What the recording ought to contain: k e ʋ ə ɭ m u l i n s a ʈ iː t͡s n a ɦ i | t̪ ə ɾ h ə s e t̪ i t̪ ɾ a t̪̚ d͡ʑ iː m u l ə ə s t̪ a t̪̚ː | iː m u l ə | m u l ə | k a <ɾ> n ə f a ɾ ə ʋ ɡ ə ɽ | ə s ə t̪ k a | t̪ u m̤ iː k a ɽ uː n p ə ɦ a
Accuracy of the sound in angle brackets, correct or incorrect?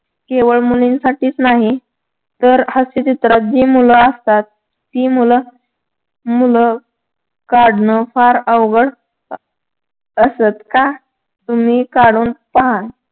incorrect